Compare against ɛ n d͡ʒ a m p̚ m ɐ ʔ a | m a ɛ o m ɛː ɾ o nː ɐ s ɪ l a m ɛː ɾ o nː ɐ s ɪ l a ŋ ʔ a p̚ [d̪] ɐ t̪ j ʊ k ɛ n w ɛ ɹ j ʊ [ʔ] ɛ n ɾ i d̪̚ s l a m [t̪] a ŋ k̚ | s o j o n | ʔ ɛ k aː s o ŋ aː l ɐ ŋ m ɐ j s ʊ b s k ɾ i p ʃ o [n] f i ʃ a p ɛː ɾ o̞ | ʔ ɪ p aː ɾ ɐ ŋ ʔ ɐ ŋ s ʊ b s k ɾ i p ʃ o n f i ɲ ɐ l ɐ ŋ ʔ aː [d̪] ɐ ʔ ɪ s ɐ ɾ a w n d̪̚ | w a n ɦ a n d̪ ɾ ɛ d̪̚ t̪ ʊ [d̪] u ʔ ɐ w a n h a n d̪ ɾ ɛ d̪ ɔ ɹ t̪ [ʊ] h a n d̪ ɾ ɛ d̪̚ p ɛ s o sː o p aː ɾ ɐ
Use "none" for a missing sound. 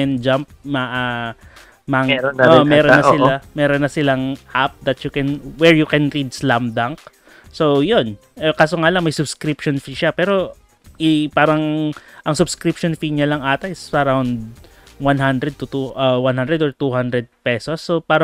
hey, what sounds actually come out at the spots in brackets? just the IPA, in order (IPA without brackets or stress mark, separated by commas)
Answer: d̪, k, d̪, n, t̪, t̪, u